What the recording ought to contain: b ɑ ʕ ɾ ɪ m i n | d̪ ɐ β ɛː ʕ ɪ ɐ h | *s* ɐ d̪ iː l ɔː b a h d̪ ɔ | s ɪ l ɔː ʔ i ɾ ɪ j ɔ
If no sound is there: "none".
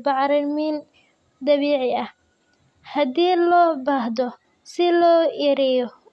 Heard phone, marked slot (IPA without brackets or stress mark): h